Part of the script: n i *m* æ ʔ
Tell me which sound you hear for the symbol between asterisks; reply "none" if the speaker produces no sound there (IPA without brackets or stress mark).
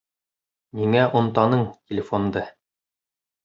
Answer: ŋ